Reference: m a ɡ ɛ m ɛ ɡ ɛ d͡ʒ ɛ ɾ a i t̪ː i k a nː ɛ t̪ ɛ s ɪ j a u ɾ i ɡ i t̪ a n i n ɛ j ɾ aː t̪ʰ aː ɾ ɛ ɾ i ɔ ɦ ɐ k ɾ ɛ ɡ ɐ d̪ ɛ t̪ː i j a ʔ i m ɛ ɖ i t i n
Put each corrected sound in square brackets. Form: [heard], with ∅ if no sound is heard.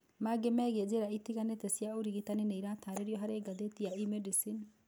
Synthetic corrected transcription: m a ɡ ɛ m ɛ ɡ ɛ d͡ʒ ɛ ɾ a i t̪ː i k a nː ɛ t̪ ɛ s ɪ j a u ɾ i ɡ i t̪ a n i n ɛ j ɾ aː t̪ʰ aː ɾ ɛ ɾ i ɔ ɦ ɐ [∅] ɾ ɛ ɡ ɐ d̪ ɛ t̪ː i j a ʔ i m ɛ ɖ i [s] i n